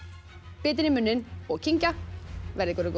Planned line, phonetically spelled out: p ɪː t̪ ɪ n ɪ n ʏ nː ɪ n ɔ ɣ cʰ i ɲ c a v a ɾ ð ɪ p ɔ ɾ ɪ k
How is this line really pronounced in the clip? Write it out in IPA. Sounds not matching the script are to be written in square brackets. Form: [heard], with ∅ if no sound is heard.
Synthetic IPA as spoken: p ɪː t̪ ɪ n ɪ [m] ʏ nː ɪ n ɔ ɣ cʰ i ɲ c a v [ɛ] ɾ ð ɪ [k] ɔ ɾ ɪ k